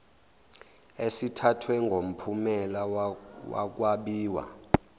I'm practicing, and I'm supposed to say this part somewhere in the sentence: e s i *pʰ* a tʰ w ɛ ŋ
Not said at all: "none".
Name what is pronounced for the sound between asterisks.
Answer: tʰ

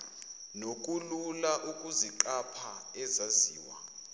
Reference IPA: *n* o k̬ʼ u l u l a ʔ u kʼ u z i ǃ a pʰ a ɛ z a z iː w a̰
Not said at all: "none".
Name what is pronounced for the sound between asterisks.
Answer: n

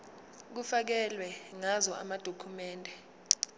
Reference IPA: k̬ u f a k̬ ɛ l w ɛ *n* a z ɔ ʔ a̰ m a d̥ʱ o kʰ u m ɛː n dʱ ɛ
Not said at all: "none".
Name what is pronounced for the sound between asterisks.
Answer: ŋ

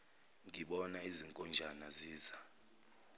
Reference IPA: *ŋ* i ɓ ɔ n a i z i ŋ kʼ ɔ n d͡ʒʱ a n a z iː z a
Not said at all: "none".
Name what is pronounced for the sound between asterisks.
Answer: ŋ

